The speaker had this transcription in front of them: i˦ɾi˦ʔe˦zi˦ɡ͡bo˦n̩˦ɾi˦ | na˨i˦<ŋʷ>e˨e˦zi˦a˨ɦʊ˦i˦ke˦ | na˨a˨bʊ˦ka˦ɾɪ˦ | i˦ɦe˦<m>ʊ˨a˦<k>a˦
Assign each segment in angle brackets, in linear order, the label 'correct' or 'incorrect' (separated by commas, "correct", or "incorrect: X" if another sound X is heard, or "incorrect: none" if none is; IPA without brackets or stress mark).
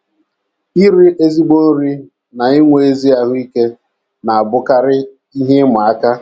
correct, correct, correct